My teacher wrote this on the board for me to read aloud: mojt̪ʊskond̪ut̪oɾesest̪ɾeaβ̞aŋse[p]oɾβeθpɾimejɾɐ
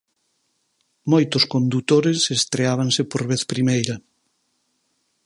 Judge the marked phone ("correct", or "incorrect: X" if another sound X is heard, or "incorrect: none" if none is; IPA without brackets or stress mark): correct